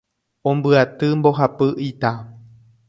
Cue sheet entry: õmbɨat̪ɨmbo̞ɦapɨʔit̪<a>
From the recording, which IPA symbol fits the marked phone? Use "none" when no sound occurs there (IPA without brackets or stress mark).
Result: a